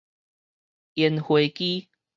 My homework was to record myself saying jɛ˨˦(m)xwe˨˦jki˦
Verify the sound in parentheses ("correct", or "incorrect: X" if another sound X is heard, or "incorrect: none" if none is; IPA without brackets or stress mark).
incorrect: n